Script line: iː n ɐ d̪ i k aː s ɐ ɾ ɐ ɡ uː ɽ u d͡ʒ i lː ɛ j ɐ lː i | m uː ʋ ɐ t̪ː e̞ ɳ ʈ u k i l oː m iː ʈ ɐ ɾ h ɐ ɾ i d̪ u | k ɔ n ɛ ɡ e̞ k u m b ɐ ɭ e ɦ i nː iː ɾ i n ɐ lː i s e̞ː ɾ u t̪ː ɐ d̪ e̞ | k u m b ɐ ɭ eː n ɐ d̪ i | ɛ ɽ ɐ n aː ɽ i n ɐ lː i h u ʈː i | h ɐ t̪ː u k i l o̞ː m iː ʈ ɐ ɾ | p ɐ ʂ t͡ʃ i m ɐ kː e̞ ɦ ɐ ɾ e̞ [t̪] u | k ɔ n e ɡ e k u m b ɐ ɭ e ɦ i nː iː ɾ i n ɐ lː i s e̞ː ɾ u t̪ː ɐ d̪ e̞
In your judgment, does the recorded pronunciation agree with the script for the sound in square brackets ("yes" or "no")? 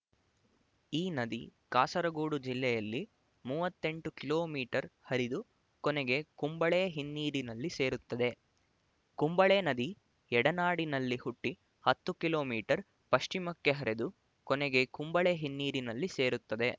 no